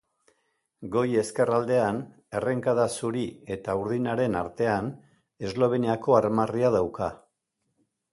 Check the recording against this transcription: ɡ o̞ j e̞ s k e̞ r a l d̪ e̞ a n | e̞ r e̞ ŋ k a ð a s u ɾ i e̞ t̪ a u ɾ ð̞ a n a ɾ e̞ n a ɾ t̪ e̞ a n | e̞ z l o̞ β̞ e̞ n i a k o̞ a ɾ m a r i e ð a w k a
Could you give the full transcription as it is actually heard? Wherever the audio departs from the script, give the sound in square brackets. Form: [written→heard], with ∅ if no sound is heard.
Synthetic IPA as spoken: ɡ o̞ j e̞ s k e̞ r a l d̪ e̞ a n | e̞ r e̞ ŋ k a ð a s u ɾ i e̞ t̪ a u ɾ ð̞ [a→i] n a ɾ e̞ n a ɾ t̪ e̞ a n | e̞ z l o̞ β̞ e̞ n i a k o̞ a ɾ m a r i [e→a] ð a w k a